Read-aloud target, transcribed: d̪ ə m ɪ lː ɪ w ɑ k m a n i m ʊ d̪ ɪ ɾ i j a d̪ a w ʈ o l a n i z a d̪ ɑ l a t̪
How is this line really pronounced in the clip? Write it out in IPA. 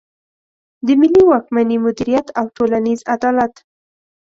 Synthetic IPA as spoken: d̪ ə m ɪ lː i w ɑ k m a n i m ʊ d̪ i ɾ i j a t̪ a w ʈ o l a n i z a d̪ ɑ l a t̪